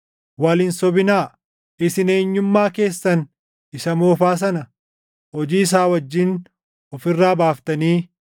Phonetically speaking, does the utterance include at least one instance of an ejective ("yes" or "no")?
no